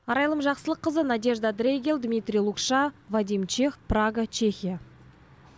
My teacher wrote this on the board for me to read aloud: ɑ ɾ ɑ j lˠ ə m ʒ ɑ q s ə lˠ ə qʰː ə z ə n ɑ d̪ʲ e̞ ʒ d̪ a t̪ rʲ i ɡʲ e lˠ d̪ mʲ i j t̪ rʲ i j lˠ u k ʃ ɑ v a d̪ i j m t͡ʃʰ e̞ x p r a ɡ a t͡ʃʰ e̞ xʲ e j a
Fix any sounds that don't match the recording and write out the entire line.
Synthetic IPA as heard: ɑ ɾ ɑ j lˠ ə m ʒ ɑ q s ə lˠ ə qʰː ə z ə n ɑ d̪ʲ e̞ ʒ d̪ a d̪ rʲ e ɡʲ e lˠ d̪ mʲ i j t̪ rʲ i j lˠ u k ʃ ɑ v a d̪ i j m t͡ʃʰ e̞ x p r a ɡ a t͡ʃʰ e̞ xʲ i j a